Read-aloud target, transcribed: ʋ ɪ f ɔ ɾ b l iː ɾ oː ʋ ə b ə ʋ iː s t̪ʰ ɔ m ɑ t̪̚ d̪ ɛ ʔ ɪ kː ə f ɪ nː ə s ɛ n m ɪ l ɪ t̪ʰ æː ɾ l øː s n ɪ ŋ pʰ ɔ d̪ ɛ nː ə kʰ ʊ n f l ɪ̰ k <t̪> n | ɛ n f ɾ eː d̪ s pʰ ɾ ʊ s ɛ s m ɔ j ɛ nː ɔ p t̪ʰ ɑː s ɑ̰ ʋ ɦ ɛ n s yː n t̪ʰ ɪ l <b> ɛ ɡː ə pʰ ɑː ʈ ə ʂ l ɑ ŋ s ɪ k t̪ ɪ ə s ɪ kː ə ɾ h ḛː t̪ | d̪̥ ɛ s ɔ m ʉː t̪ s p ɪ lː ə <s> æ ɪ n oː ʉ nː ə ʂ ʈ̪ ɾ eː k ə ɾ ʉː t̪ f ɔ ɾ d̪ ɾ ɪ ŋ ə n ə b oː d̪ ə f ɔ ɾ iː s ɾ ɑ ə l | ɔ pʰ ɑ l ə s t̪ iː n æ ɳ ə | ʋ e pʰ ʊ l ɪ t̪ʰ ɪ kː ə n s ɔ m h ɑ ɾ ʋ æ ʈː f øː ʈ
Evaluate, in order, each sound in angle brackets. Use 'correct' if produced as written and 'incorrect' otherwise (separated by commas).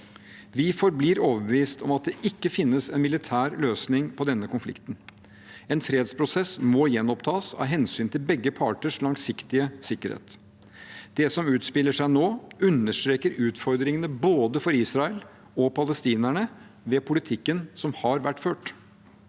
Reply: correct, correct, incorrect